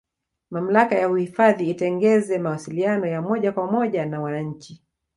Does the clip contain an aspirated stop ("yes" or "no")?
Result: no